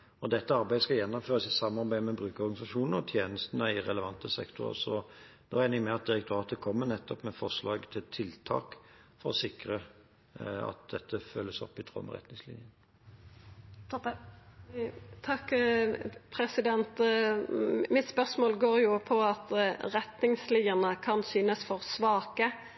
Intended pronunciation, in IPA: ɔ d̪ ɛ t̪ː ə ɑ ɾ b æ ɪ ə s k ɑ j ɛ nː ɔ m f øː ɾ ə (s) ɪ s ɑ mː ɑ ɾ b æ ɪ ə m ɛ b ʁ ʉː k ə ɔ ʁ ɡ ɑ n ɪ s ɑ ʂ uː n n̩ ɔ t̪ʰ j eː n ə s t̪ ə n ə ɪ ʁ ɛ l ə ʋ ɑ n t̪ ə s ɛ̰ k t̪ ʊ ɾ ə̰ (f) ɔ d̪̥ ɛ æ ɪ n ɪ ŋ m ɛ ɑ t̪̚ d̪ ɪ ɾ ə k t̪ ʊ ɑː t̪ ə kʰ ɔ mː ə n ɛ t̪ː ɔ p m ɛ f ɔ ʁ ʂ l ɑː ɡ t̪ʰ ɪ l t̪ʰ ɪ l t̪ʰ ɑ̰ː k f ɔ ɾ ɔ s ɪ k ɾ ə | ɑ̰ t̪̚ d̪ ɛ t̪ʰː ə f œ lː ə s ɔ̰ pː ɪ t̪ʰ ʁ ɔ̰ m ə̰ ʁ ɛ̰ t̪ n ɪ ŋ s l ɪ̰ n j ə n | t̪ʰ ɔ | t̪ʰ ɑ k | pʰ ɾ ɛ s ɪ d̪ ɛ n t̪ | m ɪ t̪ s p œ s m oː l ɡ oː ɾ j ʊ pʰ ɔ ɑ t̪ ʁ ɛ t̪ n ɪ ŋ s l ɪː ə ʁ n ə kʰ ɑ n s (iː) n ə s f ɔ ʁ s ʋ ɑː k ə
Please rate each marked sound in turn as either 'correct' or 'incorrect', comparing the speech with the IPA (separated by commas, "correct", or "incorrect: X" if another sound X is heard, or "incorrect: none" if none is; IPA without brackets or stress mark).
correct, incorrect: s, incorrect: yː